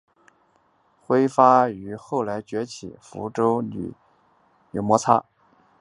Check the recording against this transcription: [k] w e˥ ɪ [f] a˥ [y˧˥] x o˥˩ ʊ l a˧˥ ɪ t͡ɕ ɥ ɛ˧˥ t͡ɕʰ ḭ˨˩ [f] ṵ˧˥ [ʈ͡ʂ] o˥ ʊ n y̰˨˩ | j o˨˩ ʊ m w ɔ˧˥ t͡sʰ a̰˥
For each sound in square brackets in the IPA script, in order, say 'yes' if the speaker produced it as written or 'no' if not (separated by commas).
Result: no, yes, yes, yes, yes